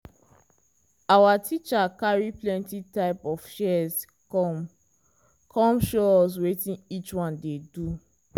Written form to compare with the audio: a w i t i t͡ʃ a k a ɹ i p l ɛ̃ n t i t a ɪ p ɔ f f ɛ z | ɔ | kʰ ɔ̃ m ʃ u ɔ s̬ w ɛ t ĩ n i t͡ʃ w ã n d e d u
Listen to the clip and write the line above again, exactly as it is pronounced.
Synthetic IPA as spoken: a w a t i t͡ʃ a k a ɹ i p l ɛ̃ n t i t a ɪ p ɔ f ʃ ɛ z | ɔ | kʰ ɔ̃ m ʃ o ɔ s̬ w e t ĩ n i t͡ʃ w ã n d e d u